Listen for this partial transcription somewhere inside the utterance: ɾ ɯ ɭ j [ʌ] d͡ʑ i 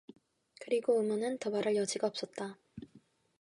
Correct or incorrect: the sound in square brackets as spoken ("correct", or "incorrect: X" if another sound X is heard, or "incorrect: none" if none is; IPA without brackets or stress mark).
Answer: correct